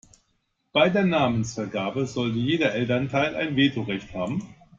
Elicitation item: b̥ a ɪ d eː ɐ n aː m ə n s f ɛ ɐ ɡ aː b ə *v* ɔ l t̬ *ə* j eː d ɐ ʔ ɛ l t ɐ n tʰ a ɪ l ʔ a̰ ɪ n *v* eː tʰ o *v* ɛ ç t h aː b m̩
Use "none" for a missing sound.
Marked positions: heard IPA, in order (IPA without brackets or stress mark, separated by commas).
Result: z, ə, v, ʁ